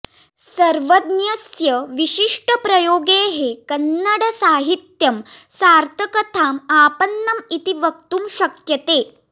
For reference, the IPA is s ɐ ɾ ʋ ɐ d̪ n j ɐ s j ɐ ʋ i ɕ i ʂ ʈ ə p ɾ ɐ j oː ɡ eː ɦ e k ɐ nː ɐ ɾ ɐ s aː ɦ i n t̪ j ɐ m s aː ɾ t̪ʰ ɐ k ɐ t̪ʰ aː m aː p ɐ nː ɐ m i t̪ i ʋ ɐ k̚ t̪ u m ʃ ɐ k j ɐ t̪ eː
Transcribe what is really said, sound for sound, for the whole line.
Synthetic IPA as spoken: s ɐ ɾ ʋ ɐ d̪ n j ɐ s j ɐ ʋ i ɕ i ʂ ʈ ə p ɾ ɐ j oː ɡ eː ɦ e k ɐ nː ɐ ɽ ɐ s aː ɦ i t̪ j ɐ m s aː ɾ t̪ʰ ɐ k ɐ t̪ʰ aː m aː p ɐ nː ɐ m i t̪ i ʋ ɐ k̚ t̪ u m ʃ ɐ k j ɐ t̪ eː